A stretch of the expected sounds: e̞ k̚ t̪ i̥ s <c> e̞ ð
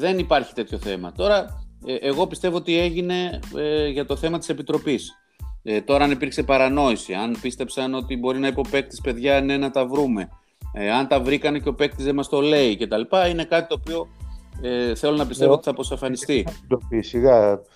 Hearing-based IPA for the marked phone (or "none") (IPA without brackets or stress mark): p